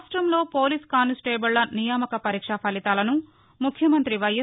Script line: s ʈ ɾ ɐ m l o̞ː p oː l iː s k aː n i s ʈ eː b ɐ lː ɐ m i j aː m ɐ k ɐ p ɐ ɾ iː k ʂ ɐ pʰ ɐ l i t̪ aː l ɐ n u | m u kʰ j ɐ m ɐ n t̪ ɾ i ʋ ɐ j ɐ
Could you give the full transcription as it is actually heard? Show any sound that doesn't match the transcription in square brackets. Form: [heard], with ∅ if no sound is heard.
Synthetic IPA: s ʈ ɾ ɐ m l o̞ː p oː l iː s k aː n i s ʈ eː b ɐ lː ɐ [n] i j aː m ɐ k ɐ p ɐ ɾ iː k ʂ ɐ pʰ ɐ l i t̪ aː l ɐ n u | m u kʰ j ɐ m ɐ n t̪ ɾ i ʋ ɐ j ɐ

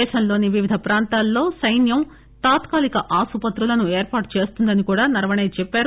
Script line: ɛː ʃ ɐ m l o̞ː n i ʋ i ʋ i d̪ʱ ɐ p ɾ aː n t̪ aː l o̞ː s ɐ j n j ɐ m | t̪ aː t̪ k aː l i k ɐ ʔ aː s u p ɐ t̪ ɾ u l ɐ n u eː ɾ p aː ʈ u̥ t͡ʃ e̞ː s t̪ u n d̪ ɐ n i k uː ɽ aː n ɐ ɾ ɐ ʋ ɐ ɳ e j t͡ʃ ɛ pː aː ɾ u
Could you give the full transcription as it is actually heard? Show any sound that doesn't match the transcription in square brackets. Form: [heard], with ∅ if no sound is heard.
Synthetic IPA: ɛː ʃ ɐ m l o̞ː n i ʋ i ʋ i d̪ʱ ɐ p ɾ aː n t̪ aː [lː] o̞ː s ɐ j n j ɐ m | t̪ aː t̪ k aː l i k ɐ ʔ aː s u p ɐ t̪ ɾ u l ɐ n u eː ɾ p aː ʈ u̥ t͡ʃ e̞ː s t̪ u n d̪ ɐ n i k uː ɽ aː n ɐ ɾ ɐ ʋ ɐ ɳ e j t͡ʃ ɛ pː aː ɾ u

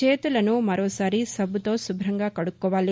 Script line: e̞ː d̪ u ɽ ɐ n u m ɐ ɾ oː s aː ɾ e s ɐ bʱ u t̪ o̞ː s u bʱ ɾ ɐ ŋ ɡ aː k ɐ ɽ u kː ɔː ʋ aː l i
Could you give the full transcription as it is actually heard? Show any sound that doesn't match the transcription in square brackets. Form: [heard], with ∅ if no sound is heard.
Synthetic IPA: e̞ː [t̪] u [l] ɐ n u m ɐ ɾ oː s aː ɾ [i] s ɐ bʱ u t̪ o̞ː s u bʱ ɾ ɐ ŋ ɡ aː k ɐ ɽ u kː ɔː ʋ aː l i

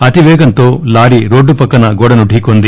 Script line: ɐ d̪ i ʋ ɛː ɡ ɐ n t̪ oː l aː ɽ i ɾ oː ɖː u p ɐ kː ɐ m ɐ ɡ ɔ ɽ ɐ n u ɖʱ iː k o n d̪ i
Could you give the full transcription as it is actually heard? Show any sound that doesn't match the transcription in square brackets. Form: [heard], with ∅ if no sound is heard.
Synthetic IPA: ɐ [t̪] i ʋ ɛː ɡ ɐ n t̪ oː l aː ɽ i ɾ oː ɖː u p ɐ kː ɐ [n] ɐ ɡ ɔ ɽ ɐ n u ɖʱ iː k o n d̪ i

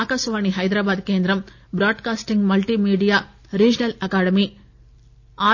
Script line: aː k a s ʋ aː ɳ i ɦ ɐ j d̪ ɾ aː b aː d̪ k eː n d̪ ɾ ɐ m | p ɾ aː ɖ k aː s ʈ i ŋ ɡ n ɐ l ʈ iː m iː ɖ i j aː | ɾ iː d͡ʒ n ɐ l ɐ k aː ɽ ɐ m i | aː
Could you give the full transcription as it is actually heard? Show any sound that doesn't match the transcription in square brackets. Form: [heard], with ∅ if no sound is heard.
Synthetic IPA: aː k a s ʋ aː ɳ i ɦ ɐ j d̪ ɾ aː b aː d̪ k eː n d̪ ɾ ɐ m | [b] ɾ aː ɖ k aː s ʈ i ŋ ɡ [m] ɐ l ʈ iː m iː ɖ i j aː | ɾ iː d͡ʒ n ɐ l ɐ k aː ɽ ɐ m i | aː

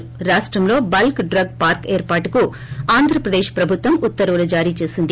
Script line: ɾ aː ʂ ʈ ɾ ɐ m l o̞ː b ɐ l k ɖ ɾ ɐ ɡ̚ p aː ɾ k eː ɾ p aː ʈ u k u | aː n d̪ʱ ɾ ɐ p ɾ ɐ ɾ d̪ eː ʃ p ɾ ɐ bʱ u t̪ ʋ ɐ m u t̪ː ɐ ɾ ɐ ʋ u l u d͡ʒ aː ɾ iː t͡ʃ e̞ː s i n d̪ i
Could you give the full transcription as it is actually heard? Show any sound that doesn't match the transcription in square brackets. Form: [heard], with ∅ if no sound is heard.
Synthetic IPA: ɾ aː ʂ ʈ ɾ ɐ m l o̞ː b ɐ l k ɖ ɾ ɐ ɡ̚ p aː ɾ k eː ɾ p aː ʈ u k u | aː n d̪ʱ ɾ ɐ p ɾ ɐ [∅] d̪ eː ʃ p ɾ ɐ bʱ u t̪ ʋ ɐ m u t̪ː ɐ ɾ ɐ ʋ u l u d͡ʒ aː ɾ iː t͡ʃ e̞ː s i n d̪ i

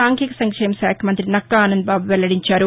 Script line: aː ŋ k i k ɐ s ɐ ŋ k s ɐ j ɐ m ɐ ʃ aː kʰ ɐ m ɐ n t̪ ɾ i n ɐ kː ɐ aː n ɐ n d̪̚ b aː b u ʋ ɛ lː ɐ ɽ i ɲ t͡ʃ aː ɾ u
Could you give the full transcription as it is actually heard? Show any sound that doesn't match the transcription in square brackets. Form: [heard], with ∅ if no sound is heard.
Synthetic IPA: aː ŋ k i k ɐ s ɐ ŋ k [ʂ] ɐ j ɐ m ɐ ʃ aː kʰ ɐ m ɐ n t̪ ɾ i n ɐ kː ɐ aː n ɐ n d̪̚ b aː b u ʋ ɛ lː ɐ ɽ i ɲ t͡ʃ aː ɾ u

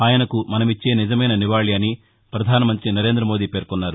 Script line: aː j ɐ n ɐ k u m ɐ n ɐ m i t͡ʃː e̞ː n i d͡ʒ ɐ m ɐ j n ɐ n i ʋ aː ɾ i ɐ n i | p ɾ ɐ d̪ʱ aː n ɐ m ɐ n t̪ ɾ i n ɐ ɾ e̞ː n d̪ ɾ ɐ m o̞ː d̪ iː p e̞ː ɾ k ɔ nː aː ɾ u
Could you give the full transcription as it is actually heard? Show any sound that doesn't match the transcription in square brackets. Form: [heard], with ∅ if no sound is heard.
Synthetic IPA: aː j ɐ n ɐ k u m ɐ n ɐ m i t͡ʃː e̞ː n i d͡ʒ ɐ m ɐ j n ɐ n i ʋ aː [ɭ] i ɐ n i | p ɾ ɐ d̪ʱ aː n ɐ m ɐ n t̪ ɾ i n ɐ ɾ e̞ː n d̪ ɾ ɐ m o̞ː d̪ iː p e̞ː ɾ k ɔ nː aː ɾ u

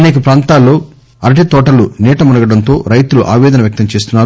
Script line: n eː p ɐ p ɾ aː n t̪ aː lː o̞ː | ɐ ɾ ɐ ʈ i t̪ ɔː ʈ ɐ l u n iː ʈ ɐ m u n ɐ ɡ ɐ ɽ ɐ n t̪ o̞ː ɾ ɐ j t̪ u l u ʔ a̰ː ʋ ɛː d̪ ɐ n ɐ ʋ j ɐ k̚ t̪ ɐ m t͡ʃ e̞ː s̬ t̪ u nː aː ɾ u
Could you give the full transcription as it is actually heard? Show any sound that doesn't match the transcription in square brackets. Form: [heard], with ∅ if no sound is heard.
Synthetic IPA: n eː [k] ɐ p ɾ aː n t̪ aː lː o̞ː | ɐ ɾ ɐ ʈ i t̪ ɔː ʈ ɐ l u n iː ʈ ɐ m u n ɐ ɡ ɐ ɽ ɐ n t̪ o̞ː ɾ ɐ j t̪ u l u ʔ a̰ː ʋ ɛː d̪ ɐ n ɐ ʋ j ɐ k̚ t̪ ɐ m t͡ʃ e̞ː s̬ t̪ u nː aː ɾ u

